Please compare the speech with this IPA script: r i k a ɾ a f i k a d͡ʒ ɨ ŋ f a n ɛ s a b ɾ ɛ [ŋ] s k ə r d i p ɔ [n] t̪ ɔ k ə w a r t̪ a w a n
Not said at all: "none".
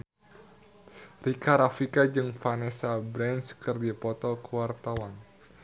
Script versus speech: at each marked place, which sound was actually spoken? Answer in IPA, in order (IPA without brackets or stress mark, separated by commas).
n, none